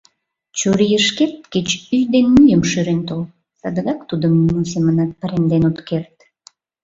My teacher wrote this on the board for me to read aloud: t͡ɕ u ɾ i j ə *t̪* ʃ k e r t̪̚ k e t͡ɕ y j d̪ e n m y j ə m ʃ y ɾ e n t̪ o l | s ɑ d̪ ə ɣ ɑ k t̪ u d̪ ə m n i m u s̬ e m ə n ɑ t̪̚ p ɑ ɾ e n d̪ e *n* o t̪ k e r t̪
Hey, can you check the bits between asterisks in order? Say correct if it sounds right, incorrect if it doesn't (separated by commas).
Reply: incorrect, correct